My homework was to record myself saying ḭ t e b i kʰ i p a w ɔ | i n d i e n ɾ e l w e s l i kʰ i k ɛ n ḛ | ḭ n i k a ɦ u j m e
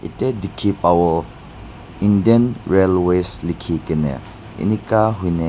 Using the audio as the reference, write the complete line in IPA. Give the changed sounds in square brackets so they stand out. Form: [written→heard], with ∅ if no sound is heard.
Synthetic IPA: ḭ t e [b→d] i kʰ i p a w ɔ | i n d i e n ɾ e l w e s l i kʰ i k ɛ n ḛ | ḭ n i k a ɦ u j [m→n] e